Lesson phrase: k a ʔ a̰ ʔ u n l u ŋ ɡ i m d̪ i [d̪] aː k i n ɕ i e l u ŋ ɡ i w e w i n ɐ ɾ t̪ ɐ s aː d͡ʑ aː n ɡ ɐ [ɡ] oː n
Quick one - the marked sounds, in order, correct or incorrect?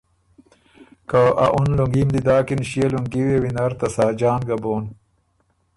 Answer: correct, incorrect: b

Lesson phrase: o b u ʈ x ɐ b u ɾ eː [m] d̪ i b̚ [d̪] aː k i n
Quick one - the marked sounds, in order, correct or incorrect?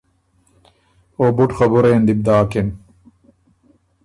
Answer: incorrect: n, correct

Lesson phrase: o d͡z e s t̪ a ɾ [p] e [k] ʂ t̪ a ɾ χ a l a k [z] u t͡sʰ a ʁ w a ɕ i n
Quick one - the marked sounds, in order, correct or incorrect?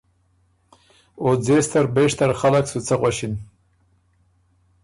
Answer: incorrect: b, incorrect: none, incorrect: s

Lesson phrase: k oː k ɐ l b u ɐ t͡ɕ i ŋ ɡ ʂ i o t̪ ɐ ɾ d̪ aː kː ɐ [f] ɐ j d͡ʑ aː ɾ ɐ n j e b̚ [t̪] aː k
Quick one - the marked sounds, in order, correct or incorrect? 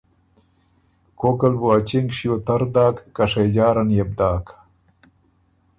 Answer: incorrect: ʂ, incorrect: d̪

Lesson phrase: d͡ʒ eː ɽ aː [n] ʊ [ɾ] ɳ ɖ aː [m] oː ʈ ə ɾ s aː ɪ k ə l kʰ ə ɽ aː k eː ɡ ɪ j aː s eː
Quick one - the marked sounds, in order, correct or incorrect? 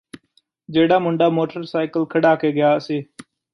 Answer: incorrect: m, incorrect: none, correct

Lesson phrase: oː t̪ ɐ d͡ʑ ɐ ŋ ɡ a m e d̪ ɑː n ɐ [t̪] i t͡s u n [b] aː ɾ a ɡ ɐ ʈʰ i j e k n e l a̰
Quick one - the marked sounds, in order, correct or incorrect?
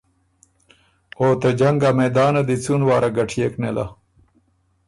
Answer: incorrect: d̪, incorrect: w

